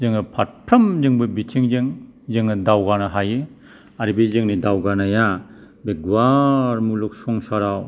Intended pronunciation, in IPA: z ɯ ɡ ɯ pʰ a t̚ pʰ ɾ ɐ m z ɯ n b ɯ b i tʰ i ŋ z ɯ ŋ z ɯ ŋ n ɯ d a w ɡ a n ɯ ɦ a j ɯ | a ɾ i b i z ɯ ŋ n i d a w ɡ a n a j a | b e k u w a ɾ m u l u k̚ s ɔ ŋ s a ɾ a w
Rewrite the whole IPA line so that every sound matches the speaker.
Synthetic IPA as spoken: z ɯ ŋ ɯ pʰ a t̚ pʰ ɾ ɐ m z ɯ ŋ b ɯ b i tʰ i ŋ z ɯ ŋ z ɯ ŋ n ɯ d a w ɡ a n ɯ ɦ a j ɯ | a ɾ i b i z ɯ ŋ n i d a w ɡ a n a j a | b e ɡ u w a ɾ m u l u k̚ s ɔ ŋ s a ɾ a w